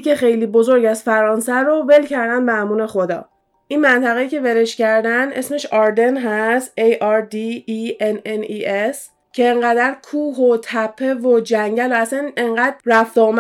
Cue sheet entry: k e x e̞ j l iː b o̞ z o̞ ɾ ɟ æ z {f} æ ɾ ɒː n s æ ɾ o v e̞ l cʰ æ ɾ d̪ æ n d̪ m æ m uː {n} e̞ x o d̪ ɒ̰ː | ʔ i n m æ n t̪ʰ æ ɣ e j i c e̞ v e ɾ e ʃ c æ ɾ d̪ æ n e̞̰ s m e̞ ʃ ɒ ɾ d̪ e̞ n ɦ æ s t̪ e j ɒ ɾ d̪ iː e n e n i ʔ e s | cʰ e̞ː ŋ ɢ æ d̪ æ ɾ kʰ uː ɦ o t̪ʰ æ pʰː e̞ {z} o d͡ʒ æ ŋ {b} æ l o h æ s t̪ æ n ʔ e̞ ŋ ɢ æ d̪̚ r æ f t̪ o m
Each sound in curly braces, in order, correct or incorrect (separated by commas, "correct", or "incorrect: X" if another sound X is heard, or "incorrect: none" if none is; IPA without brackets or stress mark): correct, correct, incorrect: v, incorrect: ɟ